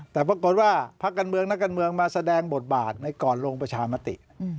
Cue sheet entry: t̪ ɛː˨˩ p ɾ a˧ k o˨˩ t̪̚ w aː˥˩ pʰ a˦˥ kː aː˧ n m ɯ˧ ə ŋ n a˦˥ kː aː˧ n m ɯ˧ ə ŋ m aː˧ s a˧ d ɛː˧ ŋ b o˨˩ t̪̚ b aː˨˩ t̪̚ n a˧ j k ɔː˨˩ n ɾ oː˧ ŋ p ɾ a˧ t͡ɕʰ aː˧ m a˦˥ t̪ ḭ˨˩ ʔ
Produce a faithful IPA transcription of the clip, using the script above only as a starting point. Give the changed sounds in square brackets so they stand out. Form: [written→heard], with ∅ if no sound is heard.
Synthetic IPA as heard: t̪ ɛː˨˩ p ɾ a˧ k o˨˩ t̪̚ w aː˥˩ pʰ a˦˥ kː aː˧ n m ɯ˧ ə ŋ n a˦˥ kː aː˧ n m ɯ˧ ə ŋ m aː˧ s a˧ d ɛː˧ ŋ b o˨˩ t̪̚ b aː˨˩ t̪̚ n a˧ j k ɔː˨˩ n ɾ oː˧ ŋ p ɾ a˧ t͡ɕʰ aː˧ m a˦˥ t̪ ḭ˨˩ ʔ